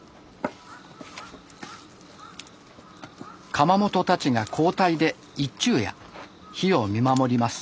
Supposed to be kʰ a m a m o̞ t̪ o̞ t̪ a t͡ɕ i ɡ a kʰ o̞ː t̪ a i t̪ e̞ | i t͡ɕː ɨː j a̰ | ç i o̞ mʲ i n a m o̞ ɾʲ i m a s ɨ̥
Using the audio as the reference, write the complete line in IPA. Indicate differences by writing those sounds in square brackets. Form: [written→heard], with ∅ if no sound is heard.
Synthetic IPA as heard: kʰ a m a m o̞ t̪ o̞ t̪ a t͡ɕ i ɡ a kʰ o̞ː t̪ a i [t̪→d̪] e̞ | i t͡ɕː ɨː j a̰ | ç i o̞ mʲ i [n→m] a m o̞ ɾʲ i m a s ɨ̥